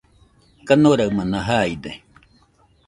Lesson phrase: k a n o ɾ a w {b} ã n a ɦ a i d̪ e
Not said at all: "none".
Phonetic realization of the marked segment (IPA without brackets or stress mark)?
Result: m